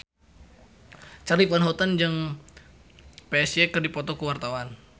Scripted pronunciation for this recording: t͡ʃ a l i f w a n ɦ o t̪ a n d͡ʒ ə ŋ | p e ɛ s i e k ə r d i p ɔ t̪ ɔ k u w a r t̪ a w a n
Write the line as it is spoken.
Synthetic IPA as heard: t͡ʃ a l i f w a n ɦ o t̪ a n d͡ʒ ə ŋ | p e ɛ s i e k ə r d i p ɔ t̪ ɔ k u w a r t̪ a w a n